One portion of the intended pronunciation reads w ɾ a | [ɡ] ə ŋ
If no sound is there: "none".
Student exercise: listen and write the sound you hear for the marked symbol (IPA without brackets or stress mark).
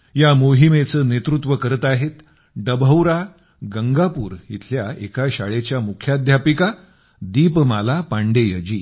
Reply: ɡ